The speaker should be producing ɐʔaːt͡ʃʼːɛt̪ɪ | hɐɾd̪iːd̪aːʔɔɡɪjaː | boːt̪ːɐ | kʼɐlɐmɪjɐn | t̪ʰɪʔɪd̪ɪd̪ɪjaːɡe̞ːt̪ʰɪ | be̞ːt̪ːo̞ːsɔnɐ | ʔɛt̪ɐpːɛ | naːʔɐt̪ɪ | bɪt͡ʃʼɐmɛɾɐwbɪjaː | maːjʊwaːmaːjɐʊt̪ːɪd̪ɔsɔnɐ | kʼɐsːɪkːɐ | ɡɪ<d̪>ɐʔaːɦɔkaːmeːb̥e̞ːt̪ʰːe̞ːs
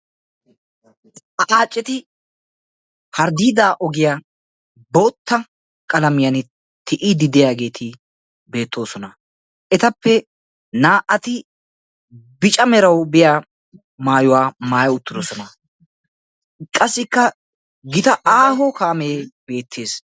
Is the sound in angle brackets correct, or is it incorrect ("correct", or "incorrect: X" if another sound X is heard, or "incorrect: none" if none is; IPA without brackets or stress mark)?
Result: incorrect: t̪